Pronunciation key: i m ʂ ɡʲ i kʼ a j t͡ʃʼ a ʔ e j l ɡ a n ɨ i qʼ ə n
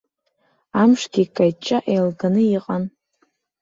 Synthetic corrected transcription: a m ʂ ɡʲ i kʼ a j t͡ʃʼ a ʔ e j l ɡ a n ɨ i qʼ a n